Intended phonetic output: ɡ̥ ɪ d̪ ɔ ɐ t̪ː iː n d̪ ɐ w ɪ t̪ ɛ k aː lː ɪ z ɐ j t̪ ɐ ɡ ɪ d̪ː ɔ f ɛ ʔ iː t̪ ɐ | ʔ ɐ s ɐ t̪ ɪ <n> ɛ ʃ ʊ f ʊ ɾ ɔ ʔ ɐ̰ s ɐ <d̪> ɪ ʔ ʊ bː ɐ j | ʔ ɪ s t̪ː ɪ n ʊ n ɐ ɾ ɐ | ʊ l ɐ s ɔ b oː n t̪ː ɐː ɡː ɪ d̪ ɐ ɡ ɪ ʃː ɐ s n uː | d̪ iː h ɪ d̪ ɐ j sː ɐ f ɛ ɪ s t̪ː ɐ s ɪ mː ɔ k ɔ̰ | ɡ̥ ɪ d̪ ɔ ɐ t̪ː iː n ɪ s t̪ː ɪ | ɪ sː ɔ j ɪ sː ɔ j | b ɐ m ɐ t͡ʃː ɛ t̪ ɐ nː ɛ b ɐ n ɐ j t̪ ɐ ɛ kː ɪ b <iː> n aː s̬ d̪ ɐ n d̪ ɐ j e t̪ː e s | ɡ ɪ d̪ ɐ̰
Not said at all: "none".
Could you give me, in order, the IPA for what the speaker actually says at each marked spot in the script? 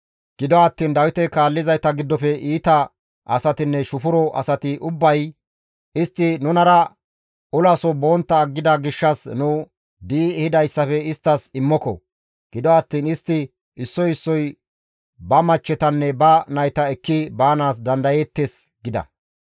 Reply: nː, t̪, aː

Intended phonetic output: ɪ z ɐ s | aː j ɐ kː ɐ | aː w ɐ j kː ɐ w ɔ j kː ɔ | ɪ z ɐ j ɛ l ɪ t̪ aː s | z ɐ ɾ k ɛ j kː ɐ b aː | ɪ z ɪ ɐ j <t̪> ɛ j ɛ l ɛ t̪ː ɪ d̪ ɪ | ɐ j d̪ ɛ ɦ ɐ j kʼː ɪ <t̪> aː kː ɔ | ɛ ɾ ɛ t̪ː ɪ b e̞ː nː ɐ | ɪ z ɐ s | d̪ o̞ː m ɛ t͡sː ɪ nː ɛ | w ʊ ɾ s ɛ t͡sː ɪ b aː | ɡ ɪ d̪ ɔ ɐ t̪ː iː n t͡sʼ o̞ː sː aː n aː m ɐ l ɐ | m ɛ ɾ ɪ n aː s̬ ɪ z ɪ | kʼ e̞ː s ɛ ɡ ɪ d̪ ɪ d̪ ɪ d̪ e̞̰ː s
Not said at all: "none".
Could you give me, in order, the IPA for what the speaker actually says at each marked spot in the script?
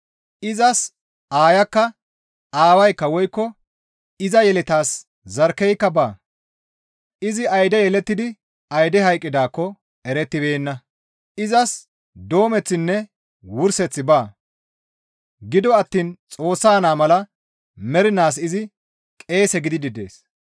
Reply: d̪, d̪

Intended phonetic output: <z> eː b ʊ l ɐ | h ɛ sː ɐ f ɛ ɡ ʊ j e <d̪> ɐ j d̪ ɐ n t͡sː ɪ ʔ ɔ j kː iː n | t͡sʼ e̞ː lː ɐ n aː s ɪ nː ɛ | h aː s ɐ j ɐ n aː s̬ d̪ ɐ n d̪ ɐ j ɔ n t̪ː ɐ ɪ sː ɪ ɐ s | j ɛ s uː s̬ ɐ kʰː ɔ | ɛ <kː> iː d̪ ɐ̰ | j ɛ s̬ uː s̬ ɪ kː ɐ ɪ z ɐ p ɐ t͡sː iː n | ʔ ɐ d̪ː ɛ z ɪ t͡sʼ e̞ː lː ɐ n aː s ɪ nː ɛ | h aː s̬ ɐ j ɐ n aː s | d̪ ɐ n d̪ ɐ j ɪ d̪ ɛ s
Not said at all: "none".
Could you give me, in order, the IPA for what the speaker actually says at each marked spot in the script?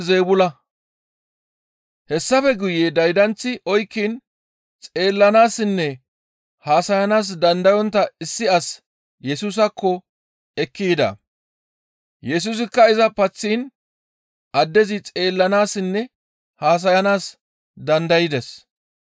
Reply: z, d̪, kː

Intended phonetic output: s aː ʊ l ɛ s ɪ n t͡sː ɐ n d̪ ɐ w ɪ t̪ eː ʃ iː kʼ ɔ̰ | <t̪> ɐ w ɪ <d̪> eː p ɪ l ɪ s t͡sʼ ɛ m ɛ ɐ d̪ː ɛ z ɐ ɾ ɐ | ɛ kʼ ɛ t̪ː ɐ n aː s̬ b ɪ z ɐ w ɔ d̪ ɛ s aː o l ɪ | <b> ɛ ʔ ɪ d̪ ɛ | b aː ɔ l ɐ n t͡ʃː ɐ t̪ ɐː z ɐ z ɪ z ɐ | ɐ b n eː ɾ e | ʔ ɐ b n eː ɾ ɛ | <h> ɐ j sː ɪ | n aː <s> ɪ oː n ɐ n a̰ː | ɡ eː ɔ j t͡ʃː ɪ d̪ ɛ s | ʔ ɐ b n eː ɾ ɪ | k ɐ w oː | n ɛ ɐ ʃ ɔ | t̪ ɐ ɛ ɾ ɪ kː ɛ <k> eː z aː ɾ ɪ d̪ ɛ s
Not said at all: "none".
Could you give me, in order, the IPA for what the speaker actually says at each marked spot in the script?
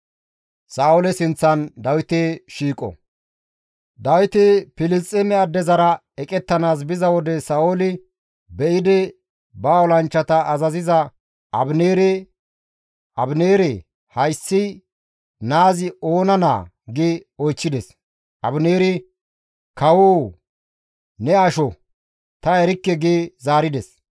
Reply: d̪, t̪, b, h, z, ɡ

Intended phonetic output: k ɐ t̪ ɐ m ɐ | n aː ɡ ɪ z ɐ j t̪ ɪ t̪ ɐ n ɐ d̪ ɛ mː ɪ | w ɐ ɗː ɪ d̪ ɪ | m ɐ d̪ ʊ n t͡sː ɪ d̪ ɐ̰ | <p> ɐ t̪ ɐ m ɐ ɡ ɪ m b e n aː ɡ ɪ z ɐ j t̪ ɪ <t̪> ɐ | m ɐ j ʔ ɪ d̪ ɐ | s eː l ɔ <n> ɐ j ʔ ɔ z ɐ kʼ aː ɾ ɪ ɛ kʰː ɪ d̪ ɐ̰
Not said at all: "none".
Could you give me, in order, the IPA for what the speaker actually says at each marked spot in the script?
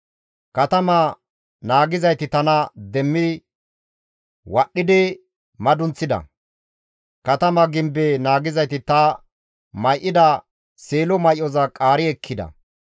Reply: k, t̪, m

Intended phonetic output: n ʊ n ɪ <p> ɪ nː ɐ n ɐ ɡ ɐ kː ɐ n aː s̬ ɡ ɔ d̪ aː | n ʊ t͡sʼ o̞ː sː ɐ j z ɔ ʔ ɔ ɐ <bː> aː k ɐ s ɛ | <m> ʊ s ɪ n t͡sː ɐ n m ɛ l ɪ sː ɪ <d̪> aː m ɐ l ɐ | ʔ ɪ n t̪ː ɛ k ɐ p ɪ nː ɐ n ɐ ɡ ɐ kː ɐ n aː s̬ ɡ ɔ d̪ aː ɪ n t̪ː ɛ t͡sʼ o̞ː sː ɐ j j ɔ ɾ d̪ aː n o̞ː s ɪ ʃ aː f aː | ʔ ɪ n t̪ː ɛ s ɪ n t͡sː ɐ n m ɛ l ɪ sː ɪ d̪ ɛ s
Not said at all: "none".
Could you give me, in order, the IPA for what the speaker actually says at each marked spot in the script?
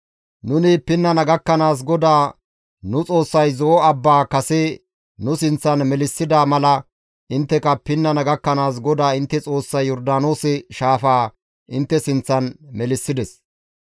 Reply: p, bː, n, d̪

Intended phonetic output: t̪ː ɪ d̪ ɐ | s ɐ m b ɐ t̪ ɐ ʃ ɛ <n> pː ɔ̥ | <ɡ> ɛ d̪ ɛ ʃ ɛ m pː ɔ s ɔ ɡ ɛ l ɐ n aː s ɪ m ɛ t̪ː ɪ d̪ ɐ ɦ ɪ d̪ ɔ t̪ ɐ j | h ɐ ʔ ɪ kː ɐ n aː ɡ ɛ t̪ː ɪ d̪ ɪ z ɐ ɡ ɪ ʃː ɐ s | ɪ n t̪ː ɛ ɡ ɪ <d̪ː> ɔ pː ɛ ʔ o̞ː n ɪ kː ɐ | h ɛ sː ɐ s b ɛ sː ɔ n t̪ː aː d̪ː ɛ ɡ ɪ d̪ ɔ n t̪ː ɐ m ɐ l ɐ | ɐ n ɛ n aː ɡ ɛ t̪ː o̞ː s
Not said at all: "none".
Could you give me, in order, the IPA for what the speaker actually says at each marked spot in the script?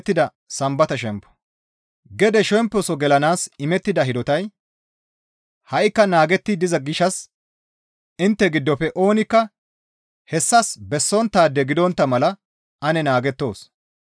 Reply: m, ɡ, d̪ː

